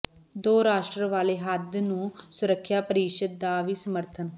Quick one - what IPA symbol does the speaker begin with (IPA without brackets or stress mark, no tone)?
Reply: d̪